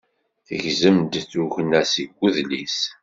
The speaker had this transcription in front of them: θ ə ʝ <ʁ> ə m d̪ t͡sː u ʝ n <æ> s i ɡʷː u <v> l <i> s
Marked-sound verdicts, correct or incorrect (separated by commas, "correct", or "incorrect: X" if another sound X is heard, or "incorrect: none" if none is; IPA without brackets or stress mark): incorrect: z, correct, incorrect: ð, correct